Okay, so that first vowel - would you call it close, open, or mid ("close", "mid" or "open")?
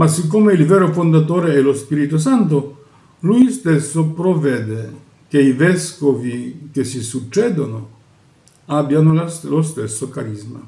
open